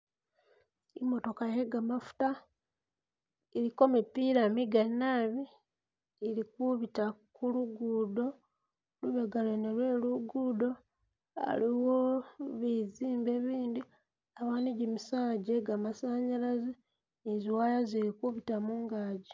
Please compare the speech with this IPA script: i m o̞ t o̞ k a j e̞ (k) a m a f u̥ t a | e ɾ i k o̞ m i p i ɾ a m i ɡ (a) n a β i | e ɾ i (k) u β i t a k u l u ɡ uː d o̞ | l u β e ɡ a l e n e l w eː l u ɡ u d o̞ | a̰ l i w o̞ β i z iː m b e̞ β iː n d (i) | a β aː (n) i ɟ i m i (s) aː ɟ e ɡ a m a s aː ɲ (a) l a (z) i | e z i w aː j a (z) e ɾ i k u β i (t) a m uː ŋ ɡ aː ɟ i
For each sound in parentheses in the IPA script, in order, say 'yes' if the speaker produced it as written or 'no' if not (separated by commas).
no, yes, yes, yes, yes, yes, yes, yes, yes, yes